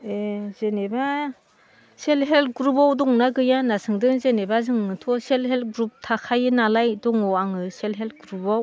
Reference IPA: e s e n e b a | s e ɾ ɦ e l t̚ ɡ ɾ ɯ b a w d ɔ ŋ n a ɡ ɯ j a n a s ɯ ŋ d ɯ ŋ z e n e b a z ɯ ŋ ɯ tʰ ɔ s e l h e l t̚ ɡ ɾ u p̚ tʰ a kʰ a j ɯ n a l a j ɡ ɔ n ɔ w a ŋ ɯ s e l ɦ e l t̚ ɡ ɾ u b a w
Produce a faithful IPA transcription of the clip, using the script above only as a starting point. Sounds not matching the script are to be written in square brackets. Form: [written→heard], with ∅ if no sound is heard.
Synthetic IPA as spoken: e [s→z] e n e b a | s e [ɾ→l] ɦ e l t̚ ɡ ɾ [ɯ→u] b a w d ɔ ŋ n a ɡ ɯ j a n a s ɯ ŋ d ɯ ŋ z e n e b a z ɯ ŋ ɯ tʰ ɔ s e l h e l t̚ ɡ ɾ u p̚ tʰ a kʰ a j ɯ n a l a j [ɡ→d] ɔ [n→ŋ] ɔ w a ŋ ɯ s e l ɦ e l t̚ ɡ ɾ u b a w